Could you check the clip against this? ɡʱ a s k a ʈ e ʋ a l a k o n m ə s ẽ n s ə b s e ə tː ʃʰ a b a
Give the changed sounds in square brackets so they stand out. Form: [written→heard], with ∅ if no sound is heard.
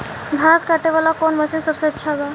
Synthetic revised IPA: ɡʱ a s k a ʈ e ʋ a l a k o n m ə s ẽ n s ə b s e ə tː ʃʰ a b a